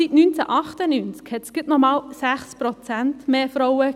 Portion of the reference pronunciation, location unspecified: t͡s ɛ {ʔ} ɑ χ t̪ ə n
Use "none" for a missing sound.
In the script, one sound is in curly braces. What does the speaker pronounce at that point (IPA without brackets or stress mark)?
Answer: ʔ